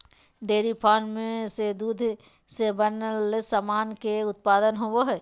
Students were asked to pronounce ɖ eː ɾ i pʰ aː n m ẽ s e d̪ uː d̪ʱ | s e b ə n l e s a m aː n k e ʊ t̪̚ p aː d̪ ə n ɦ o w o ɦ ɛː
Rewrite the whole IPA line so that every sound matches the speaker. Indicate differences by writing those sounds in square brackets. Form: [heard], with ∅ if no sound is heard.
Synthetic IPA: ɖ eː ɾ i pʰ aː n m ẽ s e d̪ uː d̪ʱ | s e b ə n l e s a m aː n k e ʊ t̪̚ p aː d̪ ə n ɦ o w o ɦ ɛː